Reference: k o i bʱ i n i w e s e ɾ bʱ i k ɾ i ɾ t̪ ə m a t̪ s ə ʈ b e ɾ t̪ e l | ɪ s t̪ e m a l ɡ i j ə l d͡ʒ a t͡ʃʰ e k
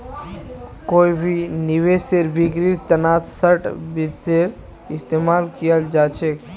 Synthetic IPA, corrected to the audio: k o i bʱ i n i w e s e ɾ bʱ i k ɾ i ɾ t̪ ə n a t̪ s ə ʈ b i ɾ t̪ e ɾ | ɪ s t̪ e m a l k i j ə l d͡ʒ a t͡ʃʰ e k